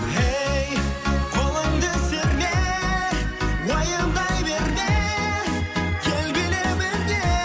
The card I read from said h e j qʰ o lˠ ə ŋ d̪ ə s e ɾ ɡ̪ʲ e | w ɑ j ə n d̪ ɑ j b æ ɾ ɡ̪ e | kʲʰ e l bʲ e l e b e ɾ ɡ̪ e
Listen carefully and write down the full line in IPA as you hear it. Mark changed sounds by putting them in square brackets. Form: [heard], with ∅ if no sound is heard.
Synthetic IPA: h e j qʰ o lˠ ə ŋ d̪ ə s e ɾ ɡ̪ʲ e | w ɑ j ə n d̪ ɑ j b [e] ɾ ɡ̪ e | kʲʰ e l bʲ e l e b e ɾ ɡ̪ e